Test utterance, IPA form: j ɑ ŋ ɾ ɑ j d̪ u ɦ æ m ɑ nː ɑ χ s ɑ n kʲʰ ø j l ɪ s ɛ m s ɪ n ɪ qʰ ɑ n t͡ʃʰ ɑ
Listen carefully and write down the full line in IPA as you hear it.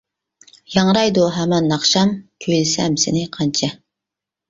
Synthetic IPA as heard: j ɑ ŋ ɾ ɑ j d̪ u ɦ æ m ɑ nː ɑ χ ʃ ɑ m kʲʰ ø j l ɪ s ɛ m s ɪ n ɪ qʰ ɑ n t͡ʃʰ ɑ